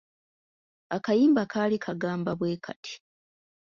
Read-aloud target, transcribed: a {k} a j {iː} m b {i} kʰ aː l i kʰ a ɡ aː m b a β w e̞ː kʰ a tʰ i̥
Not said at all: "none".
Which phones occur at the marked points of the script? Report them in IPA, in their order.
k, iː, a

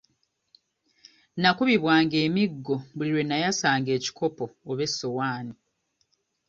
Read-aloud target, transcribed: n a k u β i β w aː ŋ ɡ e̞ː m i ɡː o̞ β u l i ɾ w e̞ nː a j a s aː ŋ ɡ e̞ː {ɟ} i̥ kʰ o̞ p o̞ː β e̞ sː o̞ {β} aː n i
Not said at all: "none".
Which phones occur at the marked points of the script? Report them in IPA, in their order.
c, w

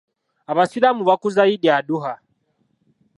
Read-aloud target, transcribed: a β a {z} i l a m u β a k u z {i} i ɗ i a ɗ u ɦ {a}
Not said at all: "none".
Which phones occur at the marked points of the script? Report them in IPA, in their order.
s, a, a

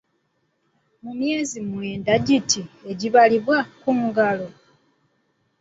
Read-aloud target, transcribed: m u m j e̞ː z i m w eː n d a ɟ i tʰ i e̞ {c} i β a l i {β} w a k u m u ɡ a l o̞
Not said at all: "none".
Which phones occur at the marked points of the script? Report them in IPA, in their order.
ɟ, β

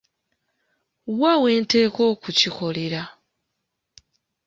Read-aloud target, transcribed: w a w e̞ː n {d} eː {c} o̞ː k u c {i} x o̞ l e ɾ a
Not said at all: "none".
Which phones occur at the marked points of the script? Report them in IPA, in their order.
t, k, i

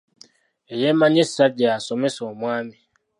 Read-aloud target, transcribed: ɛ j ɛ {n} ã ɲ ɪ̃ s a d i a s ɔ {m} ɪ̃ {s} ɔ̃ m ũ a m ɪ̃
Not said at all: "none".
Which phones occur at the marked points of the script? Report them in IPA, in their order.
m, m, s

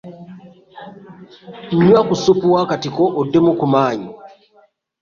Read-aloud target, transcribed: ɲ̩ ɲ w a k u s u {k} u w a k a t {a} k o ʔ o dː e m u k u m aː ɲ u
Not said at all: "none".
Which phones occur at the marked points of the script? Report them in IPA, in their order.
p, i

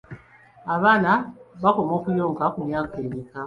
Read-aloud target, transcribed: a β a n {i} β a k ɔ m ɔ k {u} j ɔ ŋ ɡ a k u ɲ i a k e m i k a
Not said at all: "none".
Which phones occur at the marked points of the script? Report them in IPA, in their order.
a, u

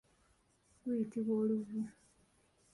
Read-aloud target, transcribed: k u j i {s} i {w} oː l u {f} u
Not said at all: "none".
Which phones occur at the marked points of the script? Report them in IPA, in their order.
t, β, v

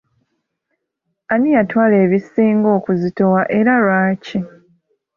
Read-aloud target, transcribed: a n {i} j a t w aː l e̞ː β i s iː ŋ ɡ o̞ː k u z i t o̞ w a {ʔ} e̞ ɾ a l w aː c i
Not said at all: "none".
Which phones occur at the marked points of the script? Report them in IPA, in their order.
i, ʔ

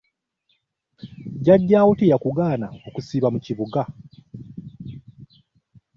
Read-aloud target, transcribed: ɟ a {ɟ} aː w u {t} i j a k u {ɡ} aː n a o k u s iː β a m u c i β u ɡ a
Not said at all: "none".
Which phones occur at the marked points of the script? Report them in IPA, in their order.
ɟː, t, ɡ

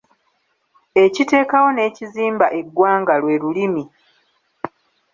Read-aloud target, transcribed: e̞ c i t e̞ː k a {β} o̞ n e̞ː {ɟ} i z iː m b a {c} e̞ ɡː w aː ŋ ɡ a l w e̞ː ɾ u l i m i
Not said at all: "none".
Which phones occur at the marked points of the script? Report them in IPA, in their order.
w, c, ʔ

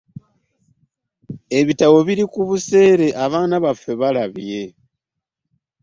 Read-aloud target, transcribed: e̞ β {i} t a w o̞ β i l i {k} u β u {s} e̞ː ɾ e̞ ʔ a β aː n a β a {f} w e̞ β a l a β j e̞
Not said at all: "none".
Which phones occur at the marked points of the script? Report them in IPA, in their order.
i, k, s, f

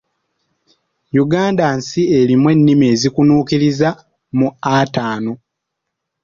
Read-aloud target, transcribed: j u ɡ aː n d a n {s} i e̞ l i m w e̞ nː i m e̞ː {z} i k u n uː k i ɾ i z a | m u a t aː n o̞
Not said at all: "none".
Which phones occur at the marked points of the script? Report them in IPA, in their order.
s, z

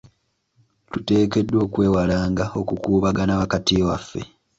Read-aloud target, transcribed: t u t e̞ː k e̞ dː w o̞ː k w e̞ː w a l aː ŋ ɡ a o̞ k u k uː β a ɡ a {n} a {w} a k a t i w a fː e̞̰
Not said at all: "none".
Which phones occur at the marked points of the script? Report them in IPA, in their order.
n, β

